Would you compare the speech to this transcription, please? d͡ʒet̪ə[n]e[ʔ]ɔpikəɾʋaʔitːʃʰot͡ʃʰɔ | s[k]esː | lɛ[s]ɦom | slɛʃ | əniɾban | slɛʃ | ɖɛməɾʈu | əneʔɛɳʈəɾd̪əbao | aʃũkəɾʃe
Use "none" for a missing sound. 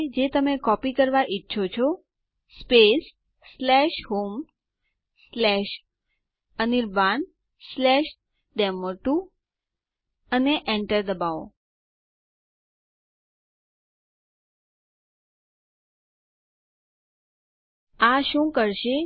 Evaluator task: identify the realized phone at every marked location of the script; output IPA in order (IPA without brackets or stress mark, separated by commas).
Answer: m, k, p, ʃ